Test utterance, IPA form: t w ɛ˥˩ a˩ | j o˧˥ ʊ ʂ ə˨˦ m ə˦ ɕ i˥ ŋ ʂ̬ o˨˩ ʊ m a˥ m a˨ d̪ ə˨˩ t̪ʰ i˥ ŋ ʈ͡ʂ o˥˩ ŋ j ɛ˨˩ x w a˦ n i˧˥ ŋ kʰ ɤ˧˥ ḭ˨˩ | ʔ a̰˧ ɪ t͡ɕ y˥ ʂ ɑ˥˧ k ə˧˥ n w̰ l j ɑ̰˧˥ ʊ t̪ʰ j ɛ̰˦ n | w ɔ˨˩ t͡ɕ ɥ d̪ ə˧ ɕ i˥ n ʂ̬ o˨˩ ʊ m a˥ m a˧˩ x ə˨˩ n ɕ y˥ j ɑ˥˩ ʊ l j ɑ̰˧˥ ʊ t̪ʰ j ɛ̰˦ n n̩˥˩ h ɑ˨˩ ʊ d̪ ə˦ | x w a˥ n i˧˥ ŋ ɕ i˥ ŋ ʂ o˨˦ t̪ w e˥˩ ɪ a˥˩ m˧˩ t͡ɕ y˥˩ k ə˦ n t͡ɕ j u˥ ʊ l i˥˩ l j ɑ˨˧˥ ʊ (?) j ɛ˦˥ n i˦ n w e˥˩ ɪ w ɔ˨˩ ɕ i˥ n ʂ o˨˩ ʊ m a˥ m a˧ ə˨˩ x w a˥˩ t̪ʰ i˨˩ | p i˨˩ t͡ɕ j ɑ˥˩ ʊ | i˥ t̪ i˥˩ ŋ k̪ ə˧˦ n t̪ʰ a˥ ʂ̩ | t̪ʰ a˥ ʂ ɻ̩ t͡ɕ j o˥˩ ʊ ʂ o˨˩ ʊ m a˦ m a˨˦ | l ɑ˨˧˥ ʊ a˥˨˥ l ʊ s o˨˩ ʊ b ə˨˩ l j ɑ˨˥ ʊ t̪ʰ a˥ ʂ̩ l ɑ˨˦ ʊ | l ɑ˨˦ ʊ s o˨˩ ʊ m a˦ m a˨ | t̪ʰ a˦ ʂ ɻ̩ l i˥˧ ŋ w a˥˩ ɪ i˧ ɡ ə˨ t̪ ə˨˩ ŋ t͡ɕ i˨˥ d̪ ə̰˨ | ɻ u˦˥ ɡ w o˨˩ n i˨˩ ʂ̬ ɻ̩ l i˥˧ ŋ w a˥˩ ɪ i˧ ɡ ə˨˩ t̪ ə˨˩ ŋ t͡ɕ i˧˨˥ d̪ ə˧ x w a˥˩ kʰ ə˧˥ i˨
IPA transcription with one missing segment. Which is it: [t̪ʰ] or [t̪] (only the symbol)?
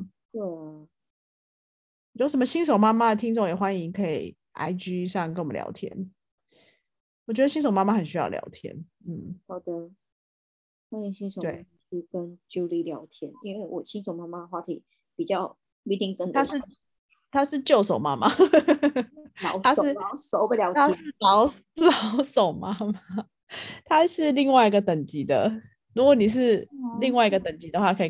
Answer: t̪ʰ